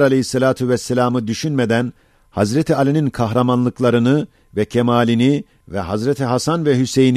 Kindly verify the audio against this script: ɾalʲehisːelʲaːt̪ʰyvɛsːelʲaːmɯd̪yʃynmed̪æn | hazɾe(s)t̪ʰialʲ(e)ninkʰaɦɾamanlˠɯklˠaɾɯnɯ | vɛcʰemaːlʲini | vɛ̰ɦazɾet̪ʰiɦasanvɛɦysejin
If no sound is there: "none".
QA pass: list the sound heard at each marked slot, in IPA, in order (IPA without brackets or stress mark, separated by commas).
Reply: none, i